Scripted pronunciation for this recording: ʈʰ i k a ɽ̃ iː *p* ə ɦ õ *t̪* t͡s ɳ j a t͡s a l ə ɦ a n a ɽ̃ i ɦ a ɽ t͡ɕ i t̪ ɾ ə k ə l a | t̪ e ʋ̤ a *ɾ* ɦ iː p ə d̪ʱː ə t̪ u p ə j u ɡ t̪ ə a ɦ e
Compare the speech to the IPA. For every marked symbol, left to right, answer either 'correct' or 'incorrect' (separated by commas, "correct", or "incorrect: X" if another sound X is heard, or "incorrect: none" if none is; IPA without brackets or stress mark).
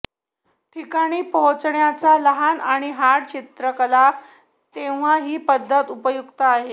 correct, incorrect: none, incorrect: none